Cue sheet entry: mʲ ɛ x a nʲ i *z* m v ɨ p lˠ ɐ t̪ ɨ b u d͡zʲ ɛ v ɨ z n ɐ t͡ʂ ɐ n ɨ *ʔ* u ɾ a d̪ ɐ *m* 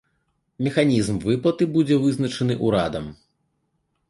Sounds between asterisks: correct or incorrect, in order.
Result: correct, correct, correct

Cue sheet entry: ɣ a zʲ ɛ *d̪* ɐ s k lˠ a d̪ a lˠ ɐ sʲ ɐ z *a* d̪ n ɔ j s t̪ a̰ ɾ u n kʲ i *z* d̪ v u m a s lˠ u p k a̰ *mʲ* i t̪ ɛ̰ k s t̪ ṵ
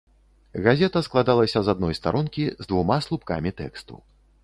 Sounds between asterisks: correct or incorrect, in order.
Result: incorrect: t̪, correct, correct, correct

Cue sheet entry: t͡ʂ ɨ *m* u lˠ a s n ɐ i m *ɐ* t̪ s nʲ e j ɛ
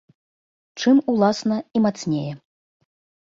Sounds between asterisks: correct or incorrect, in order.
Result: correct, incorrect: a

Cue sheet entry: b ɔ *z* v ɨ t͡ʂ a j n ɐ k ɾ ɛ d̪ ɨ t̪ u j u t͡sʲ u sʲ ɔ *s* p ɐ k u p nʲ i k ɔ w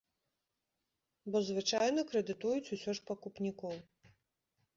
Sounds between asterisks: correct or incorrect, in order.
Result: correct, incorrect: ʂ

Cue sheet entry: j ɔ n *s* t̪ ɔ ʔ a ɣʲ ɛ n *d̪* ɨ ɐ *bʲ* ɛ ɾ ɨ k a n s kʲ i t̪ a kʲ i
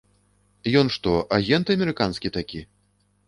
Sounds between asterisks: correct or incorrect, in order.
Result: incorrect: ʂ, incorrect: t̪, incorrect: mʲ

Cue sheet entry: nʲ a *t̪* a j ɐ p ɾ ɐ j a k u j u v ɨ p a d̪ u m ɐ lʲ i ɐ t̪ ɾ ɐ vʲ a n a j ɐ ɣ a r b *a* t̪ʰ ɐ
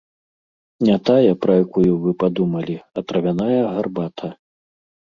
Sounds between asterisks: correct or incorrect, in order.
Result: correct, correct

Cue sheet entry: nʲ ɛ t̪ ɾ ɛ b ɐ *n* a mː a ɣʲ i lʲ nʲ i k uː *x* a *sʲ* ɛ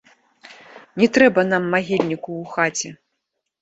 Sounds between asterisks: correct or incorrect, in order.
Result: correct, correct, incorrect: t͡sʲ

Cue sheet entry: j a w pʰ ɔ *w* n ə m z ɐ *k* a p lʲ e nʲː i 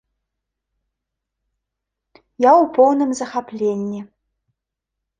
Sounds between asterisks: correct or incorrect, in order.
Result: correct, incorrect: x

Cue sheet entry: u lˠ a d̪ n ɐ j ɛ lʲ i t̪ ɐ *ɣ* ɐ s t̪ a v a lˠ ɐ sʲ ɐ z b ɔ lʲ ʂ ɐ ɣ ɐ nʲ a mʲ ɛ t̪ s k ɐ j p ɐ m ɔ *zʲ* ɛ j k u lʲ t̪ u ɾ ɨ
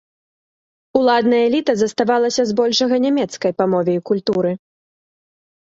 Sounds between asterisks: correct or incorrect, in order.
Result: incorrect: z, incorrect: vʲ

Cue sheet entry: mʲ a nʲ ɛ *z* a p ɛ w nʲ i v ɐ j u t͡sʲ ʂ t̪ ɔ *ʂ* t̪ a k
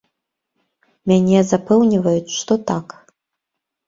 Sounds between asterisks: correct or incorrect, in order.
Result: correct, incorrect: none

